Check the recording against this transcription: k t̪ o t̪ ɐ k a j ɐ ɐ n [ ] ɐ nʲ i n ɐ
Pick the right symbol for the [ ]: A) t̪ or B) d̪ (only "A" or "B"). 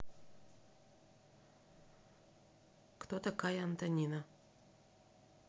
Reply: A